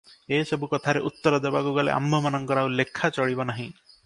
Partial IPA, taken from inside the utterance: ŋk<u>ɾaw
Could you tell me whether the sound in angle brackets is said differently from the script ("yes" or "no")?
yes